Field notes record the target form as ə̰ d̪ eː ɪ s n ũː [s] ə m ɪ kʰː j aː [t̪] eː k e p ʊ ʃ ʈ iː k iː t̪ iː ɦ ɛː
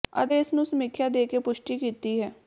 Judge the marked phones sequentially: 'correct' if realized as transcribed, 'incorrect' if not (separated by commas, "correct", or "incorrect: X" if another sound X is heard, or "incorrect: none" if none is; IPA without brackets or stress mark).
correct, incorrect: d̪